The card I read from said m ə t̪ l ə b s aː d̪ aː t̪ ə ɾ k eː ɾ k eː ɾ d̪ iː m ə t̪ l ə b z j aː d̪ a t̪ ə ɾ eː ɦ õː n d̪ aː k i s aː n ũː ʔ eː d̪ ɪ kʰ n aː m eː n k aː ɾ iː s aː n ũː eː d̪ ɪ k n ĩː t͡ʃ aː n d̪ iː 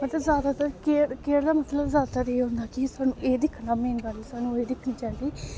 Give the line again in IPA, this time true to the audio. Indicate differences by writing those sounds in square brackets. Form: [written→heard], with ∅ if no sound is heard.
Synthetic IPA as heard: m ə t̪ l ə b [s→z] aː d̪ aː t̪ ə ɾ k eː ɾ k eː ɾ d̪ [iː→aː] m ə t̪ l ə b z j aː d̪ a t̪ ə ɾ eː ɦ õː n d̪ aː k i s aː n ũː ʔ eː d̪ ɪ kʰ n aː m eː n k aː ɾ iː s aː n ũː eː d̪ ɪ [k→kʰ] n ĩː t͡ʃ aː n d̪ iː